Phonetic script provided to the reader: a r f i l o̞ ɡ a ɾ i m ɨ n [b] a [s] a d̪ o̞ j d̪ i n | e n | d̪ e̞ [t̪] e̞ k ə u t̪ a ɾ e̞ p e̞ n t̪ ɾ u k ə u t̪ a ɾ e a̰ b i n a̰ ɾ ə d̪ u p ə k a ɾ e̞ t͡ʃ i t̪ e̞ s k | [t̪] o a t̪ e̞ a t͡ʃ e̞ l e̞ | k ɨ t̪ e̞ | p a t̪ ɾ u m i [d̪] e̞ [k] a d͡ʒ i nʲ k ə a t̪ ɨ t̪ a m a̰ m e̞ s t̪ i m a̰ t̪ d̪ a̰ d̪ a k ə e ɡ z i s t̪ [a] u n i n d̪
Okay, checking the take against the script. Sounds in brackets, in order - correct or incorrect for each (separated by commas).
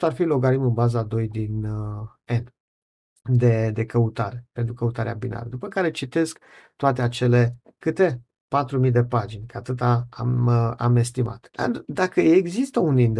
correct, incorrect, incorrect, correct, correct, incorrect, incorrect